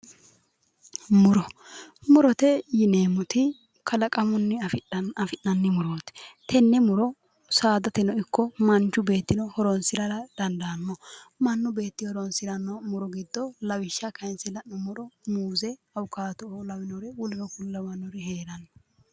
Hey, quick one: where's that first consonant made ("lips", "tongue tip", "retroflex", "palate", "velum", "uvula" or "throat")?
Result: lips